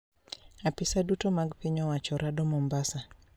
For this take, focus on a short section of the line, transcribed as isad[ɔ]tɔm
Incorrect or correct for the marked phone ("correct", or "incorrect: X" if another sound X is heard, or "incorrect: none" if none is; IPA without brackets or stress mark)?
incorrect: u